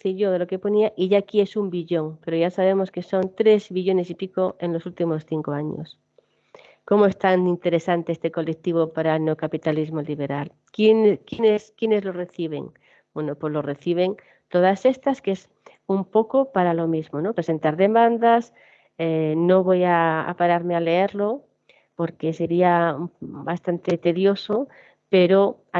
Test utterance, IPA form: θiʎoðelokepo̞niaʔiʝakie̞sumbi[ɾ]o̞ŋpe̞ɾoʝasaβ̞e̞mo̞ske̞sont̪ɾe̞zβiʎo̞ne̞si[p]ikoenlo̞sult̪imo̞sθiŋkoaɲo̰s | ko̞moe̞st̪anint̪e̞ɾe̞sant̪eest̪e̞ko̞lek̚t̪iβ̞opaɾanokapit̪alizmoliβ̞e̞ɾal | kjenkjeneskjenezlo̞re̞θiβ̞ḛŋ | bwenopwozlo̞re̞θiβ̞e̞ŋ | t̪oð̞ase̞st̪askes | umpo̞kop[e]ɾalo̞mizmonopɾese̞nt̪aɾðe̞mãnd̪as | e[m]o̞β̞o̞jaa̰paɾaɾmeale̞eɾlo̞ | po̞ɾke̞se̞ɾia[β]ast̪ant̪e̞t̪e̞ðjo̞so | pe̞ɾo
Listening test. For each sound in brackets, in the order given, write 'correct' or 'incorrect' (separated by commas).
incorrect, correct, incorrect, incorrect, incorrect